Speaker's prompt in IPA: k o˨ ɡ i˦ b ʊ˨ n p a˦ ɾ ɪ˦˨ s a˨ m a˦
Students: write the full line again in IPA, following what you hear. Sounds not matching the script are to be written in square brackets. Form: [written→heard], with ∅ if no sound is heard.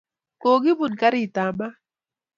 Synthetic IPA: k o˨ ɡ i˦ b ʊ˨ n [p→k] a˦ ɾ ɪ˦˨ [s→t] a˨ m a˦